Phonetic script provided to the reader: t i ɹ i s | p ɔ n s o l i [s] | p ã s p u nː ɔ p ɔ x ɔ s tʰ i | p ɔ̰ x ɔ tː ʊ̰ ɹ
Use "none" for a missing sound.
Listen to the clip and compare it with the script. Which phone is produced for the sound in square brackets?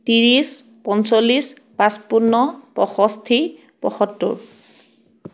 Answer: s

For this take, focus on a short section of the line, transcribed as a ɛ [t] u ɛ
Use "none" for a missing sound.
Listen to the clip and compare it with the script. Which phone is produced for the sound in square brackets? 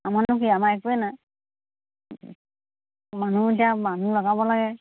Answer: k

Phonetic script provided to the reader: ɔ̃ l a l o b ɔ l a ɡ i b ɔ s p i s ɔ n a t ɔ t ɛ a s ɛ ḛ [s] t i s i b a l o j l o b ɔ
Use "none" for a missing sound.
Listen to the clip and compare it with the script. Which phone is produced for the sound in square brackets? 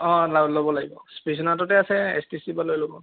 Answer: s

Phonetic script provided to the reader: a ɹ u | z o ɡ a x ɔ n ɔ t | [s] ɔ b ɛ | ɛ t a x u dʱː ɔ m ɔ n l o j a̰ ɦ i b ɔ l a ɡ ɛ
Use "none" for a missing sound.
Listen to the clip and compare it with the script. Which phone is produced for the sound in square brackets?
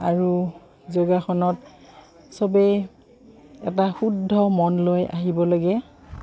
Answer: s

